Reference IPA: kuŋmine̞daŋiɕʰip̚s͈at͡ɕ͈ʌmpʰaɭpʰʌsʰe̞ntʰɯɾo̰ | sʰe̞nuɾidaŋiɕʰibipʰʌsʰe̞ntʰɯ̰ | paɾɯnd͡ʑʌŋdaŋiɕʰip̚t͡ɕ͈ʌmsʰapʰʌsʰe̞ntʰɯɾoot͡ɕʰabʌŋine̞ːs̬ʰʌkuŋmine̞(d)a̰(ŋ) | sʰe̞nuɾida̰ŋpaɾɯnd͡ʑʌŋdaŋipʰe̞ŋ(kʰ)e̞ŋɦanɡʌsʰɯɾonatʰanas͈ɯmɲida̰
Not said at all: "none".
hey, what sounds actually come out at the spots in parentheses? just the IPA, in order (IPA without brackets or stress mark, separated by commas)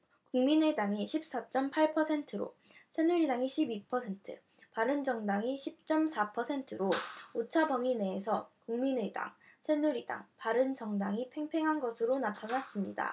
d, ŋ, pʰ